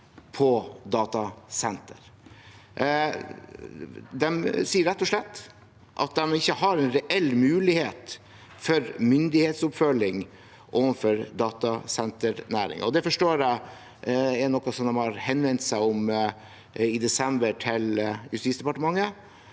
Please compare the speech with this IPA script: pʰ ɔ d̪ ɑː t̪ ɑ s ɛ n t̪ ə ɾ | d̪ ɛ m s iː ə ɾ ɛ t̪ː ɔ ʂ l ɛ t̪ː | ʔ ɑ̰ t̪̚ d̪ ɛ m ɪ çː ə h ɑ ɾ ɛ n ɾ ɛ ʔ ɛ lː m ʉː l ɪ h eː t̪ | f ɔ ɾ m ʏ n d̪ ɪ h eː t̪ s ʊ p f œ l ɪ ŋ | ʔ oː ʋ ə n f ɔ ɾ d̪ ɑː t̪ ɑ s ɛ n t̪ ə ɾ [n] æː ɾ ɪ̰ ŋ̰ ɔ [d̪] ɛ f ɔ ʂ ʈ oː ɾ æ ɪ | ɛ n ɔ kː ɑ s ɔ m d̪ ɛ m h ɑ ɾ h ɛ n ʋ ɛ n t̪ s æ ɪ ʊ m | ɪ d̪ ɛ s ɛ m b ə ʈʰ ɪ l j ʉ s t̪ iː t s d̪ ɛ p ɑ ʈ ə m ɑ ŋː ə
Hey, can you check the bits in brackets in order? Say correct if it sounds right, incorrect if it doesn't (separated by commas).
correct, correct